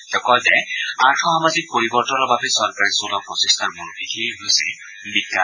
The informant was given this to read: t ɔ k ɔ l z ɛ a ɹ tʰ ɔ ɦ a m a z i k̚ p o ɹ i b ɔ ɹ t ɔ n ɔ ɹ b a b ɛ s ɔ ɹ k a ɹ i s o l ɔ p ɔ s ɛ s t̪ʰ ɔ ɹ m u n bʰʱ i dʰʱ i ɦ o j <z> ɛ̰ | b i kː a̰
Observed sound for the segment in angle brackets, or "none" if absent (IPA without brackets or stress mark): s